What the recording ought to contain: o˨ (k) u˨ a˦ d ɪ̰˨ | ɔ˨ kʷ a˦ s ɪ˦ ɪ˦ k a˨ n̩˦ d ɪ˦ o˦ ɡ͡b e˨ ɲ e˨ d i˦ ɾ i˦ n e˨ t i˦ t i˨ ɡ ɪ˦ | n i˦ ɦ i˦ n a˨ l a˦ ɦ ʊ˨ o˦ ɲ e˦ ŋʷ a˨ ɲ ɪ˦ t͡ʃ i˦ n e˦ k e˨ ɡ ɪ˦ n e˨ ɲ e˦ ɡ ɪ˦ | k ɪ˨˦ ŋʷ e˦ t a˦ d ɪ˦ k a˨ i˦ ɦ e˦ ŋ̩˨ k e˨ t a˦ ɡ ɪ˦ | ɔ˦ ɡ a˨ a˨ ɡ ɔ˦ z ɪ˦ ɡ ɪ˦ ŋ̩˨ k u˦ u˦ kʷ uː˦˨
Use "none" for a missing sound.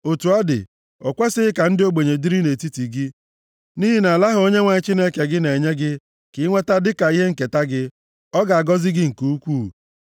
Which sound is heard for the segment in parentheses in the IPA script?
t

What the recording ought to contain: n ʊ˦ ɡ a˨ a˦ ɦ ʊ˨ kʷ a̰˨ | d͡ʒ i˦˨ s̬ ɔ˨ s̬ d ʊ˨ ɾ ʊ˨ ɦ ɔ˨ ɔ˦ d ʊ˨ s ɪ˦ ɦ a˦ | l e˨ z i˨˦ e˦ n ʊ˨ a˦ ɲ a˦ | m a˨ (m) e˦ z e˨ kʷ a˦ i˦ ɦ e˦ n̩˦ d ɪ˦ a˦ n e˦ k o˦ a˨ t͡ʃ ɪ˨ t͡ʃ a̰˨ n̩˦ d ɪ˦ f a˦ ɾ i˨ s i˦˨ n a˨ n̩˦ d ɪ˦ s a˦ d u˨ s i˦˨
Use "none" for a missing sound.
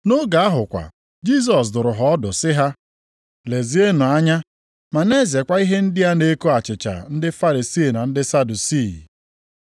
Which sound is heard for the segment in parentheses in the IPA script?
n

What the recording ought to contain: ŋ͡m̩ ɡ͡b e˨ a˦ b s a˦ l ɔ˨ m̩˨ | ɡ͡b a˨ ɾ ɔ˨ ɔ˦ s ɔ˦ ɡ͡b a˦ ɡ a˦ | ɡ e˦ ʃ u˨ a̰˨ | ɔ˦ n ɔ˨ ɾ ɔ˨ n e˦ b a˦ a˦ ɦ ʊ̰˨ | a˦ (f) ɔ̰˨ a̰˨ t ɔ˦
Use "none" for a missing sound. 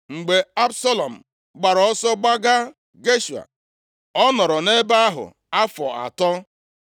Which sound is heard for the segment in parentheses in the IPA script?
f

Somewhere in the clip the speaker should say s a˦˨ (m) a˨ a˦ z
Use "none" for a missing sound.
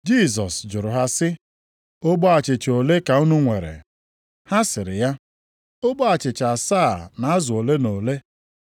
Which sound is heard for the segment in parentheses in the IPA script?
n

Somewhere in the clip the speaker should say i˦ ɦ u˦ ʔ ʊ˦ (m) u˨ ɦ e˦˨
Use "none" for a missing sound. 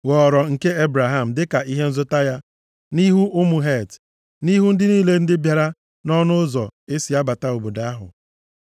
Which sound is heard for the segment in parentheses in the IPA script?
m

